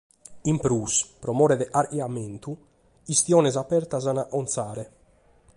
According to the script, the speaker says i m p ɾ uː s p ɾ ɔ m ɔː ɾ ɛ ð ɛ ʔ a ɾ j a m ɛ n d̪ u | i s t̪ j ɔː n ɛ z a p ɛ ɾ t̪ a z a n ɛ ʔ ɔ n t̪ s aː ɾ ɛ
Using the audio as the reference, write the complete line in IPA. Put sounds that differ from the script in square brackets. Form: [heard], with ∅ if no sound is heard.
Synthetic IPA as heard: i m p ɾ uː s p ɾ ɔ m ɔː ɾ ɛ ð ɛ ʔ a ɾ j a m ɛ n [t̪] u | i s t̪ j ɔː n ɛ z a p ɛ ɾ t̪ a z a n [a] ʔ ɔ n t̪ s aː ɾ ɛ